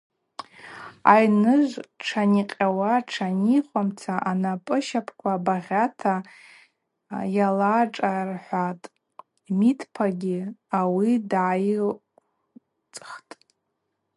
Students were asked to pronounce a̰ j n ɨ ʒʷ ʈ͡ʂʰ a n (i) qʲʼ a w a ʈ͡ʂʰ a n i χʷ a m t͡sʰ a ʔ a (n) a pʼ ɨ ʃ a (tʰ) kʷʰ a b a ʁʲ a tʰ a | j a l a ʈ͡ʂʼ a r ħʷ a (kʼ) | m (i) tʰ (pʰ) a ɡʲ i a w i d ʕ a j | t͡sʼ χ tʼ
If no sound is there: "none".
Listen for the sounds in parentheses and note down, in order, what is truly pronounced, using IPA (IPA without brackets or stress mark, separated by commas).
i, n, pʰ, tʼ, i, pʰ